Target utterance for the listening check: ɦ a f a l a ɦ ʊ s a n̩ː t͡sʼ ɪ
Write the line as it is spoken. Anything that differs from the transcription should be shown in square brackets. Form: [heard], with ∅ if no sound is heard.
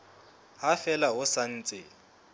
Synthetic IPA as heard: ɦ a f [ɛ] l a ɦ ʊ s a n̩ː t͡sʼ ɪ